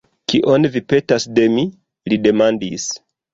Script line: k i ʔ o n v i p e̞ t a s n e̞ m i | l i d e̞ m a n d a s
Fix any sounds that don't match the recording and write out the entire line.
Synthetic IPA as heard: k i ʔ o n v i p e̞ t a s d e̞ m i | l i d e̞ m a n d i s